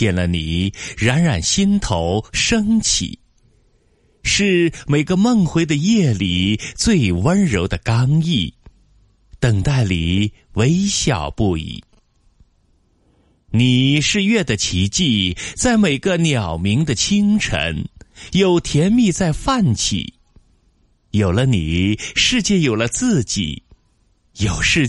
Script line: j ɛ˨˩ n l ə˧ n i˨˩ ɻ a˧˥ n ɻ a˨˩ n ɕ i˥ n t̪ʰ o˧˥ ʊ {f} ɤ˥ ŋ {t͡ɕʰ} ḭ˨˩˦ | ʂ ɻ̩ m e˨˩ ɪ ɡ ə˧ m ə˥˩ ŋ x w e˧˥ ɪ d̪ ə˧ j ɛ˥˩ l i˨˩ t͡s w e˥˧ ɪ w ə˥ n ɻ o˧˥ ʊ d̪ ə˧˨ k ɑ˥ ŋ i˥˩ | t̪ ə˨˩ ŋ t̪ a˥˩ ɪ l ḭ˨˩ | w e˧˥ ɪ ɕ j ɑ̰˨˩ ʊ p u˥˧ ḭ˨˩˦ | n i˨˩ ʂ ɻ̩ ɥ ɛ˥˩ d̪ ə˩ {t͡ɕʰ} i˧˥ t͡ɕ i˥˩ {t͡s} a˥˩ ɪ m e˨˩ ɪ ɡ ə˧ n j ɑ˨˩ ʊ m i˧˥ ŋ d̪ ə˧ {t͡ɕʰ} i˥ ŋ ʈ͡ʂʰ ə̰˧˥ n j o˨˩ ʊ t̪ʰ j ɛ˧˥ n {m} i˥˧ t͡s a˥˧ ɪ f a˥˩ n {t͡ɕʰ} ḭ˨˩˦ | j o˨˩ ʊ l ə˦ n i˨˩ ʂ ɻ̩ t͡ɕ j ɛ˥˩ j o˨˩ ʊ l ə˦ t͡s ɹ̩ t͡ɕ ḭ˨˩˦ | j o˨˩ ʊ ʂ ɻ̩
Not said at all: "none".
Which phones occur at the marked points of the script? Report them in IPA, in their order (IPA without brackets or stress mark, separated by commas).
ʂ, t͡ɕʰ, t͡ɕʰ, t͡s, t͡ɕʰ, m, t͡ɕʰ